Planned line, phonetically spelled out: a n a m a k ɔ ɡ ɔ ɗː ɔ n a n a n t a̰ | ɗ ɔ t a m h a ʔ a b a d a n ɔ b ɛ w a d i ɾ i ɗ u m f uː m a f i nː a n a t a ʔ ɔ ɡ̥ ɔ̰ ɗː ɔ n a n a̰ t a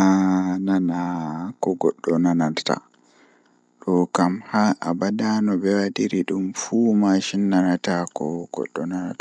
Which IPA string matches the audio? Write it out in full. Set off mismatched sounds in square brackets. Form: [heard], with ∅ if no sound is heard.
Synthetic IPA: a n a [n] a k ɔ ɡ ɔ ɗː ɔ n a n a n t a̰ | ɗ ɔ [k] a m h a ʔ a b a d a n ɔ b ɛ w a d i ɾ i ɗ u m f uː m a [ʃ] i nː a n a t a [k] ɔ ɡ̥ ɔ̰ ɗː ɔ n a n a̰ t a